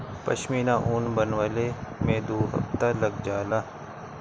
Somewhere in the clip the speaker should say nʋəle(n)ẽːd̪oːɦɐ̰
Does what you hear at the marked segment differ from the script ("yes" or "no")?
yes